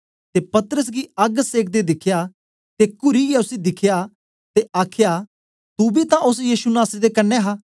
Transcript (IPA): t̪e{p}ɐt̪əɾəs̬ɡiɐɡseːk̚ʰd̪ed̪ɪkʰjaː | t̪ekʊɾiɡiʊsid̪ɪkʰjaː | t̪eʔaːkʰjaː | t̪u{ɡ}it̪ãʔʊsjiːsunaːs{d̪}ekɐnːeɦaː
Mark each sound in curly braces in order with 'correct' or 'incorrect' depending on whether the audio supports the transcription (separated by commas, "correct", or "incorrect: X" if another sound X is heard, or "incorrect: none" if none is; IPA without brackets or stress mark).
correct, incorrect: b, correct